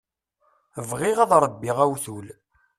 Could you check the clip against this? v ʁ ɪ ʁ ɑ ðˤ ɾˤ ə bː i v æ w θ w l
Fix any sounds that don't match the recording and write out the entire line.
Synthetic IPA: v ʁ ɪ ʁ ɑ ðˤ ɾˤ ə bː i ʁ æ w θ u l